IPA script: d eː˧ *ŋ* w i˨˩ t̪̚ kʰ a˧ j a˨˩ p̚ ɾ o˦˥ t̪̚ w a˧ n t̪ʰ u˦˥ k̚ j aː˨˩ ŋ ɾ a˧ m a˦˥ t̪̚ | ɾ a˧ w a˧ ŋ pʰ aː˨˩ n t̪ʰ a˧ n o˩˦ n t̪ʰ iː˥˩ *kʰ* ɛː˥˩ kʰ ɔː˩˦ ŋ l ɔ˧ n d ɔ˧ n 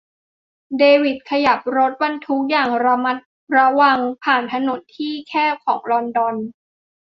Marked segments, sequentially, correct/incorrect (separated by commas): incorrect, correct